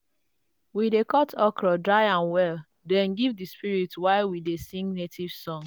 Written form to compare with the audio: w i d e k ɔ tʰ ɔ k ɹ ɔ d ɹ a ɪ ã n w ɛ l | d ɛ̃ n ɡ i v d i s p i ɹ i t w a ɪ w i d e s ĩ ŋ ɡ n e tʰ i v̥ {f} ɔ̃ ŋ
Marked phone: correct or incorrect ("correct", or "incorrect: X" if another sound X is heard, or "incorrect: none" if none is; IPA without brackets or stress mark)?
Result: incorrect: s